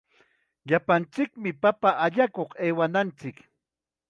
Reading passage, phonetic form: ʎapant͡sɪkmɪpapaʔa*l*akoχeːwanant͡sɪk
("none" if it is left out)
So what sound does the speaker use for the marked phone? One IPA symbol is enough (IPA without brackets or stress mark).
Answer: ʎ